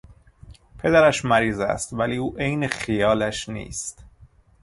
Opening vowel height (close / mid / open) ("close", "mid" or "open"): mid